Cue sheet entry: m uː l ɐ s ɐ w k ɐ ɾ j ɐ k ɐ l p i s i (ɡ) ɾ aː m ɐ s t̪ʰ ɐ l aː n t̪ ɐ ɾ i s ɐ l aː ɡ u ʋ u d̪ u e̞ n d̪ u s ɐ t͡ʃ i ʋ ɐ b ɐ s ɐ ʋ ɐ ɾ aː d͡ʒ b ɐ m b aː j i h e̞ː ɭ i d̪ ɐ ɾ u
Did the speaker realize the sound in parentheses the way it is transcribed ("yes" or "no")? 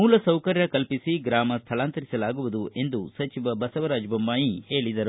yes